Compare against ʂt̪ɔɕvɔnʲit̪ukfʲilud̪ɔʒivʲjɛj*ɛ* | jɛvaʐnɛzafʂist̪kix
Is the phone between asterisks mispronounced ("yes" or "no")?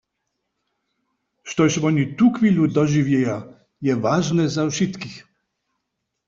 yes